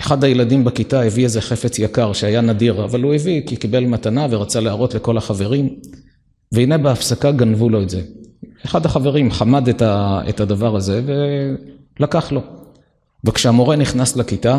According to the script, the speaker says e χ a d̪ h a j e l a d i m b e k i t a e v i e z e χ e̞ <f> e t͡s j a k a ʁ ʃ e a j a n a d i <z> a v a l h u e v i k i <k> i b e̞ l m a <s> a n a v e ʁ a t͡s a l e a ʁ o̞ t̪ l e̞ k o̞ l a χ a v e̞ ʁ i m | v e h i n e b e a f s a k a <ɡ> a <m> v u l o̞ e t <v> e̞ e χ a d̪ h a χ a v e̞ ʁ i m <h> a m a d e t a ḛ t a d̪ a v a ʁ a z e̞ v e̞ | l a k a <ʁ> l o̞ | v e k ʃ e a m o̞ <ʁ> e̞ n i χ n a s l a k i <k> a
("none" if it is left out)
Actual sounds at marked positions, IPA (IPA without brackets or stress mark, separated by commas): f, ʁ, k, t, ɡ, n, z, χ, χ, ʁ, t